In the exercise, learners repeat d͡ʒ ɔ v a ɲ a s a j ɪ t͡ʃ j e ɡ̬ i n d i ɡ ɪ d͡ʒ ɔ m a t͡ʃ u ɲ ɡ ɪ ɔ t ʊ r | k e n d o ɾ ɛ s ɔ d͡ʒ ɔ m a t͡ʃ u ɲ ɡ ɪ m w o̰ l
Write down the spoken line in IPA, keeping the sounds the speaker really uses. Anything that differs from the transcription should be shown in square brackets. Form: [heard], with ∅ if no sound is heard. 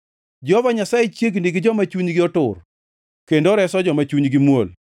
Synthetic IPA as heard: d͡ʒ ɔ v a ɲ a s a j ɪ t͡ʃ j e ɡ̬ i n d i ɡ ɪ d͡ʒ ɔ m a t͡ʃ u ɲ ɡ ɪ ɔ t ʊ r | k e n d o ɾ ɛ s ɔ d͡ʒ ɔ m a t͡ʃ u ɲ ɡ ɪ m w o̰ l